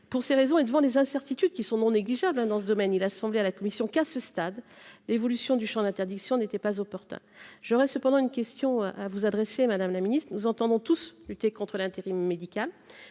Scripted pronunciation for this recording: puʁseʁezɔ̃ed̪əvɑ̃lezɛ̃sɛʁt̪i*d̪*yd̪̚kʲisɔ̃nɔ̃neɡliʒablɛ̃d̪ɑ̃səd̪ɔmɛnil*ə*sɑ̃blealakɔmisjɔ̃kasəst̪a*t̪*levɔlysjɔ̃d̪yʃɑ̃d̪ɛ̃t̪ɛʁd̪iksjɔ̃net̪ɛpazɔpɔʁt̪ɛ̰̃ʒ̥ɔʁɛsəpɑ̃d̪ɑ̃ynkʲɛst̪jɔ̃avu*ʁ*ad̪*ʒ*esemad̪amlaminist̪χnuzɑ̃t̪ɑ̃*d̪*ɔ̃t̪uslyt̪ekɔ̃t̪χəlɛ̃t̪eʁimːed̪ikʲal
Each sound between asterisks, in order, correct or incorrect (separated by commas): incorrect, incorrect, incorrect, incorrect, incorrect, correct